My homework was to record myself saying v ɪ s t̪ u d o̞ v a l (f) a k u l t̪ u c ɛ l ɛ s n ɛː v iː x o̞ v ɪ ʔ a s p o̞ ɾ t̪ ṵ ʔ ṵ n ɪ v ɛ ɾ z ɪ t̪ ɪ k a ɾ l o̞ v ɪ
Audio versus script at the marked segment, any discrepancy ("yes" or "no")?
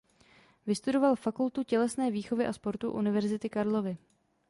no